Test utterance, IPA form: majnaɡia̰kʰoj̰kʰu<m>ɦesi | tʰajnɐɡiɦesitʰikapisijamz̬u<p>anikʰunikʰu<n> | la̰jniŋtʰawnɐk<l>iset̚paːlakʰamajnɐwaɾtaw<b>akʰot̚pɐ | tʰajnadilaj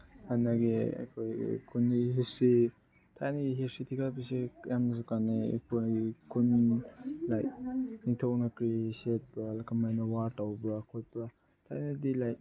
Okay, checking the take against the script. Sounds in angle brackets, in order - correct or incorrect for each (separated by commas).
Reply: incorrect, incorrect, correct, incorrect, correct